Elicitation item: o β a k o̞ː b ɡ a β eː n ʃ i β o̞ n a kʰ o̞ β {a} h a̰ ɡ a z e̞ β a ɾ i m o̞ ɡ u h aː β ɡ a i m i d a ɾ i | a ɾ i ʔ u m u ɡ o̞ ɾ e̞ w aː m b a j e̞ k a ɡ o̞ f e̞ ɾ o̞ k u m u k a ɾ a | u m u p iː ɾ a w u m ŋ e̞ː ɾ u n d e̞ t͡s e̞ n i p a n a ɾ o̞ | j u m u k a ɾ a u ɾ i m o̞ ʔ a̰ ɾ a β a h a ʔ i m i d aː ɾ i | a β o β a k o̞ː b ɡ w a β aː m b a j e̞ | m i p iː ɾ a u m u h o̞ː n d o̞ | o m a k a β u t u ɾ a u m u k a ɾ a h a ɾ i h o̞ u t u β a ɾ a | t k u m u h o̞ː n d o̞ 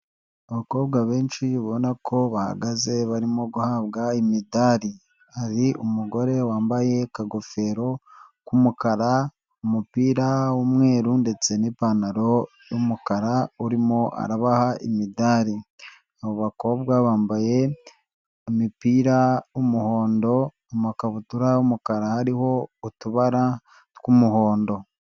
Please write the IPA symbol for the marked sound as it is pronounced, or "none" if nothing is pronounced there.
a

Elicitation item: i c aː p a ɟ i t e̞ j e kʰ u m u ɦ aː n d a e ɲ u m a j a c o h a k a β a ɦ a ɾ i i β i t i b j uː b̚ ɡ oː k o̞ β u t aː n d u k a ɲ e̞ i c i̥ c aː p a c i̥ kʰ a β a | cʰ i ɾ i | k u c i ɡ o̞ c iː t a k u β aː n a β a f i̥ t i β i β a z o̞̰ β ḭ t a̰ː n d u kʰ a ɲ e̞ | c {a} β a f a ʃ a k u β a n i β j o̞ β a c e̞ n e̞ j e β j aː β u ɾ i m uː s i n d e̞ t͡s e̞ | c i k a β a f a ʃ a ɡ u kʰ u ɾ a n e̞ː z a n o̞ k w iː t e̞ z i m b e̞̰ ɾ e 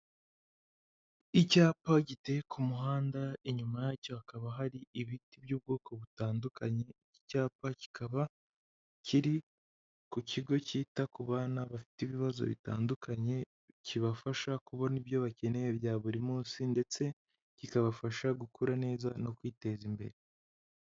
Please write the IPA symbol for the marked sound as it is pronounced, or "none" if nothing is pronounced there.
i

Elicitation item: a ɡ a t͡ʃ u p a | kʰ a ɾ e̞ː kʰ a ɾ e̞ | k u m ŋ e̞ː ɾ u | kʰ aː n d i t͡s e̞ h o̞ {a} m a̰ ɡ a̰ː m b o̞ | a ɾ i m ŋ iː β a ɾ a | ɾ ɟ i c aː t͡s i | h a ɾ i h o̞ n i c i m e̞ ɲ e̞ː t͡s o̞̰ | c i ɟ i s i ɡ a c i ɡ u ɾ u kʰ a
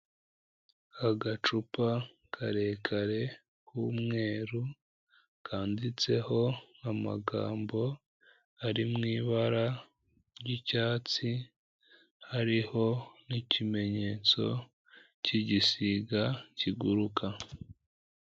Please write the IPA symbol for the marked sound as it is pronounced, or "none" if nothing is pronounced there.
a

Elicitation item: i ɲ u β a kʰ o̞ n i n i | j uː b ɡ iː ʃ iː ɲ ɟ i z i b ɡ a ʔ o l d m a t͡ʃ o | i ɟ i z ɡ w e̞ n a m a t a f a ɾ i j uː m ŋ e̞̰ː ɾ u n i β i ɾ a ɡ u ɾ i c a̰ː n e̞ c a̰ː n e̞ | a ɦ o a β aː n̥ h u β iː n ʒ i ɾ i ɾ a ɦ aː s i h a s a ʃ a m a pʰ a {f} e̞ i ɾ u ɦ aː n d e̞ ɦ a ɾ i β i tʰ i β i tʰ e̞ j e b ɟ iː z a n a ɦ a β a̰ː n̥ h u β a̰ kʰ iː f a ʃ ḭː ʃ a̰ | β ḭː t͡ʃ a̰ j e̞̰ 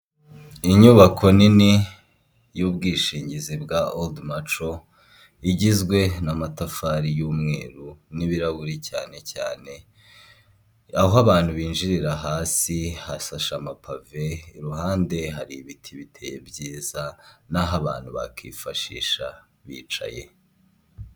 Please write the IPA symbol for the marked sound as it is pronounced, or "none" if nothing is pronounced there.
v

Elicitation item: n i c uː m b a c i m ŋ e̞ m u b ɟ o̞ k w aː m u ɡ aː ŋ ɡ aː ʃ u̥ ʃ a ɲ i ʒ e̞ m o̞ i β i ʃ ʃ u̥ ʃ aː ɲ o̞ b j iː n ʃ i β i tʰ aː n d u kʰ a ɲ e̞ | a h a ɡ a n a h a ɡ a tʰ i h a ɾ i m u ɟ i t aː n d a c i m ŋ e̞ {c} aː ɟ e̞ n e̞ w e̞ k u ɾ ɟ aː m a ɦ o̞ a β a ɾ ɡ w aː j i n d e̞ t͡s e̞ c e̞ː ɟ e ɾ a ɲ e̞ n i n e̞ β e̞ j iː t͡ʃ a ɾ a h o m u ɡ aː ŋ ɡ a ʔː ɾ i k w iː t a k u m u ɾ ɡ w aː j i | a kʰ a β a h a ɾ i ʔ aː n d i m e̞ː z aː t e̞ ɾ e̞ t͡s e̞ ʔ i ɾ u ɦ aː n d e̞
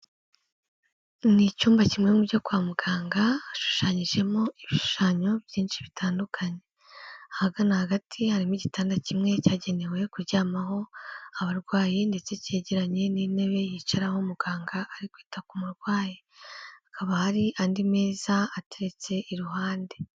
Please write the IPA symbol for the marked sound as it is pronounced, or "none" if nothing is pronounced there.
c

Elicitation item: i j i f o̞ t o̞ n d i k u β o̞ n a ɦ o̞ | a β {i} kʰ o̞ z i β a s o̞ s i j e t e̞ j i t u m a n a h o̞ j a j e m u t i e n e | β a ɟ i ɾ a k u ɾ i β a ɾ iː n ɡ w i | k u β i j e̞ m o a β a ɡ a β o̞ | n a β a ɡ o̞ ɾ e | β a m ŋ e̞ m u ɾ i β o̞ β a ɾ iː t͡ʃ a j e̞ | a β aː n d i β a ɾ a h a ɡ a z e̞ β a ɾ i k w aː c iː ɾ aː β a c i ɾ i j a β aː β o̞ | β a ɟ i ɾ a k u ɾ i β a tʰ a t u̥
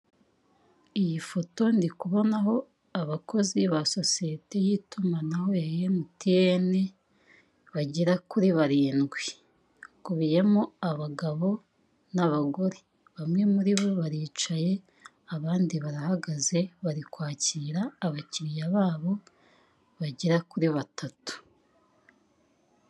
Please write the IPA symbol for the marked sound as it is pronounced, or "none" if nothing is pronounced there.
a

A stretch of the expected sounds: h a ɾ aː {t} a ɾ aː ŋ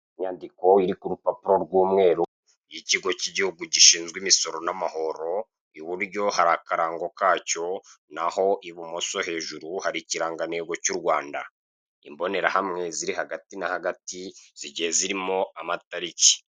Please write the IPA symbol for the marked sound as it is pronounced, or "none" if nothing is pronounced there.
k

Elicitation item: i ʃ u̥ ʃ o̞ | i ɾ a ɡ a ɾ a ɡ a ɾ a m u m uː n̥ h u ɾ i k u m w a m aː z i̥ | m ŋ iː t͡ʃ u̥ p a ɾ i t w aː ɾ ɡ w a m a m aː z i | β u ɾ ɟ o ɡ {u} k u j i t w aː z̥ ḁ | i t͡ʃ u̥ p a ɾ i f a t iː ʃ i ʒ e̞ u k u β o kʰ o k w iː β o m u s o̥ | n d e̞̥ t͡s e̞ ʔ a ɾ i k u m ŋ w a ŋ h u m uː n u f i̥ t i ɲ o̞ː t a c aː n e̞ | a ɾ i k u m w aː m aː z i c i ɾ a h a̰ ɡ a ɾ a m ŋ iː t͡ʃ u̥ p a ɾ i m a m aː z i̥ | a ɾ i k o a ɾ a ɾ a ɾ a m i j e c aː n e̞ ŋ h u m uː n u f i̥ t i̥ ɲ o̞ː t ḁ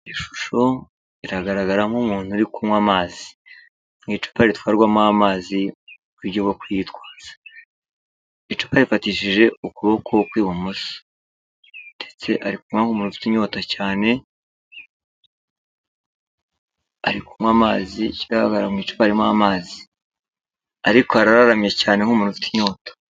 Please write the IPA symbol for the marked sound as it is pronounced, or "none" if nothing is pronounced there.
o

